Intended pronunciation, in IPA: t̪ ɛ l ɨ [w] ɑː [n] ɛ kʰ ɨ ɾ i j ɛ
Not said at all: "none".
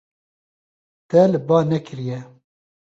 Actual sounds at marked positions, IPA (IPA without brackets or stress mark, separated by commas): b, n